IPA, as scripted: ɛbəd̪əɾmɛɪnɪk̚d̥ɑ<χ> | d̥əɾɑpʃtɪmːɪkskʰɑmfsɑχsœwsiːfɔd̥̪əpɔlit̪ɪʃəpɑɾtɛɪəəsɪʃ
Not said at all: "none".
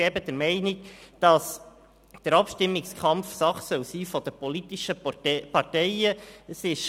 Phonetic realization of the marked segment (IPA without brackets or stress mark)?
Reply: s